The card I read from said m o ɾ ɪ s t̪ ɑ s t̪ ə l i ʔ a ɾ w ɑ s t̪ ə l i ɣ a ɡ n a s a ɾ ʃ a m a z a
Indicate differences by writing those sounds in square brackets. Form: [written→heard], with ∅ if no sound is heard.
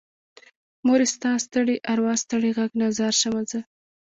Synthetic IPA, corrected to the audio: m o ɾ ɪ s t̪ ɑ s t̪ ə [l→ɽ] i ʔ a ɾ w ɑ s t̪ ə [l→ɽ] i ɣ a ɡ n a [s→z] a ɾ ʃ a m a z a